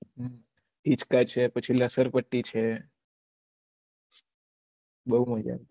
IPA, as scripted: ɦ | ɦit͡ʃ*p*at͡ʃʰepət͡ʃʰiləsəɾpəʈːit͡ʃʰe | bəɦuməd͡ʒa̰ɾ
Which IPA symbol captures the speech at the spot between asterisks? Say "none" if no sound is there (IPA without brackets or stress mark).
k